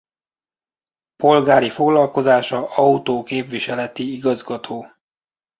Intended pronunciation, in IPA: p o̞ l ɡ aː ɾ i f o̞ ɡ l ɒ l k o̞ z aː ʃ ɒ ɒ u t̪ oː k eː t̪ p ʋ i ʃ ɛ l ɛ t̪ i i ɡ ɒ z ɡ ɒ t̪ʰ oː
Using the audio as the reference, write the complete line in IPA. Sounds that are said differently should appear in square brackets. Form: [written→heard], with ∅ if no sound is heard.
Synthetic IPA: p o̞ l ɡ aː ɾ i f o̞ ɡ l ɒ l k o̞ z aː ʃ ɒ ɒ u t̪ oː k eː [t̪→∅] p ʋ i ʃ ɛ l ɛ t̪ i i ɡ ɒ z ɡ ɒ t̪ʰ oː